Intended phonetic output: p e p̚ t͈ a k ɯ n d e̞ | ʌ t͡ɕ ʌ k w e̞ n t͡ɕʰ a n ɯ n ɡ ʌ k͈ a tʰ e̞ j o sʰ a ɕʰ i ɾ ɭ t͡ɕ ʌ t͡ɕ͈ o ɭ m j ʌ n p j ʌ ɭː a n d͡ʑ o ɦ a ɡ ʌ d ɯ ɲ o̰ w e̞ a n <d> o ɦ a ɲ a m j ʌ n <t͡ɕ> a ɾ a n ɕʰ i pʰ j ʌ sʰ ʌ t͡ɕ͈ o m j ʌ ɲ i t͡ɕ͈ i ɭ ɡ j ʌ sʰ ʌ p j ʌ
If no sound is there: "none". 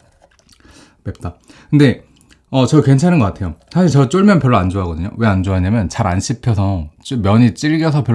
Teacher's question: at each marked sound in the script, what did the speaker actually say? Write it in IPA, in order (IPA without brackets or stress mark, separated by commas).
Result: d͡ʑ, t͡ɕ